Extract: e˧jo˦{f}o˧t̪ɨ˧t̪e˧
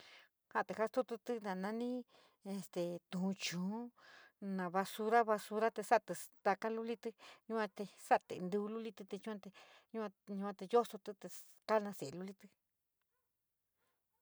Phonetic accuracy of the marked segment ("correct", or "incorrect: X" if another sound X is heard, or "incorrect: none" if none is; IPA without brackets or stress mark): incorrect: s